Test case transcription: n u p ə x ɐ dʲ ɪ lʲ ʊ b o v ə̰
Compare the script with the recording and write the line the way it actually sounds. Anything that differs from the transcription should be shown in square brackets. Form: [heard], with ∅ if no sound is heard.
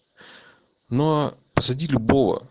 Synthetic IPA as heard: n [o] p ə [s] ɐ dʲ [i] lʲ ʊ b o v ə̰

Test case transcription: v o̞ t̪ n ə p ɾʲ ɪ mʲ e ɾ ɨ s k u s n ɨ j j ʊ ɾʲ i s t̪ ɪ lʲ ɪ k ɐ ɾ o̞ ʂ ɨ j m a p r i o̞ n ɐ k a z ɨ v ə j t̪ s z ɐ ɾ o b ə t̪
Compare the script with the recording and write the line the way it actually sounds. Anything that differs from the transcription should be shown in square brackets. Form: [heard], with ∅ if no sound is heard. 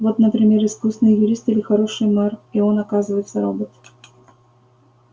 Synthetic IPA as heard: v o̞ t̪ n ə p ɾʲ ɪ mʲ e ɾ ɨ s k u s n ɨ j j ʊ ɾʲ i s t̪ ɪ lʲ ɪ [x] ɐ ɾ o̞ ʂ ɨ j m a [∅] r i o̞ n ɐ k a z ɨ v ə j t̪ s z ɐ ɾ o b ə t̪

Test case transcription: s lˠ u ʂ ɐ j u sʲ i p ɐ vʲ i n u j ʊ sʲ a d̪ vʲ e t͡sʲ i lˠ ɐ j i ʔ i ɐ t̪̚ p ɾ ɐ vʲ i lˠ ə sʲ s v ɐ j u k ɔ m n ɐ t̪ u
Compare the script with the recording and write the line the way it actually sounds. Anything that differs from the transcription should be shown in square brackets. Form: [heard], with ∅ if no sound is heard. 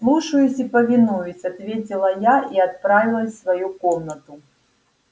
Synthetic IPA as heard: s lˠ u ʂ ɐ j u sʲ i p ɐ vʲ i n u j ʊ sʲ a [t̪] vʲ e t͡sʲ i lˠ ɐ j [a] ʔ i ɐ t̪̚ p ɾ [a] vʲ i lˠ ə sʲ s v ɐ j u k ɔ m n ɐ t̪ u

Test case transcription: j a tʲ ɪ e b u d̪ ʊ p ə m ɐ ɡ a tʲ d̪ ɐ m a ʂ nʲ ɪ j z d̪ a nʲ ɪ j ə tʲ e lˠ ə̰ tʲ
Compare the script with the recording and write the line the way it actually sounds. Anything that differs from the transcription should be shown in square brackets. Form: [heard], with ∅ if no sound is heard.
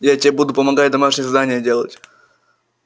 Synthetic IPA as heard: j a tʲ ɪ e b u d̪ ʊ p ə m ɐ ɡ a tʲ d̪ ɐ m a ʂ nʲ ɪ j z d̪ a nʲ ɪ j ə [dʲ] e lˠ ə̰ tʲ

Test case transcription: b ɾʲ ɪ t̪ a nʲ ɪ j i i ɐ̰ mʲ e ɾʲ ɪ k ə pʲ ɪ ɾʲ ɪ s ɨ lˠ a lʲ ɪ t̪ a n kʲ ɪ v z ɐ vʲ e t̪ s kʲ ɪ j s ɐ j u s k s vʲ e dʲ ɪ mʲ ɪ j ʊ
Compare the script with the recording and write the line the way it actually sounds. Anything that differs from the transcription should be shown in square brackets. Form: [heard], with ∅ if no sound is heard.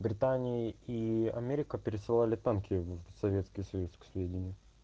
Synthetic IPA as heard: b ɾʲ ɪ t̪ a nʲ ɪ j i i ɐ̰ mʲ e ɾʲ ɪ k ə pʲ ɪ ɾʲ ɪ s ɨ lˠ a lʲ ɪ t̪ a n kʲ ɪ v [s] ɐ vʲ e t̪ s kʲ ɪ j s ɐ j u s k s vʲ e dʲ ɪ [nʲ] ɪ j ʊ

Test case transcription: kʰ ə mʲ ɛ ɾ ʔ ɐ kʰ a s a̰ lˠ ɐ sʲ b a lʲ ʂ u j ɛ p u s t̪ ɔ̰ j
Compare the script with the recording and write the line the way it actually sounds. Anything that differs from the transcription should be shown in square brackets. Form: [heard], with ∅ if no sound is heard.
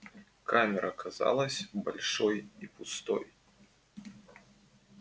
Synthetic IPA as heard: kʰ [a] mʲ ɛ ɾ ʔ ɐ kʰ a [z] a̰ lˠ ɐ sʲ b a lʲ ʂ [ɔ] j [i] p u s t̪ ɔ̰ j

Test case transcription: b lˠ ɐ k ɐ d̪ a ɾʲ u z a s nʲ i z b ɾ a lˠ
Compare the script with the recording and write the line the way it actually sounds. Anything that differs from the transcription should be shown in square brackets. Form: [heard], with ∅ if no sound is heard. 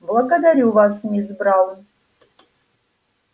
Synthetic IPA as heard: b lˠ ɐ [ɡ] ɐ d̪ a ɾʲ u [v] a s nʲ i z b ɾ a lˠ

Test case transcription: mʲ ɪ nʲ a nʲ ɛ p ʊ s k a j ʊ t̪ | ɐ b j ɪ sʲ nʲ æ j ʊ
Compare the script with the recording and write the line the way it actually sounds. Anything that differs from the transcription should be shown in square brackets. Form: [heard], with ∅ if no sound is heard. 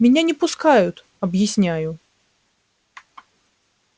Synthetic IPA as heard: mʲ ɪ nʲ a nʲ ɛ p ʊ s k a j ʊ t̪ | ɐ b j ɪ sʲ nʲ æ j ʊ

